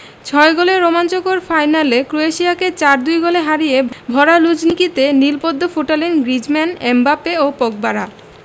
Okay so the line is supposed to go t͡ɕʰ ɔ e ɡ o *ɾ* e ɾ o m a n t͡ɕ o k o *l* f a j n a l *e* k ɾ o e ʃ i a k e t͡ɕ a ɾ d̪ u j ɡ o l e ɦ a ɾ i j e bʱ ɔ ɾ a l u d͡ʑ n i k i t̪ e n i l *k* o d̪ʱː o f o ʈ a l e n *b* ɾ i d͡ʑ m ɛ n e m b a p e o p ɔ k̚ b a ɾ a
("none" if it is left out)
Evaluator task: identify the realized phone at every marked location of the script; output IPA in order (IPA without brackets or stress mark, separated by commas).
l, ɾ, e, p, ɡ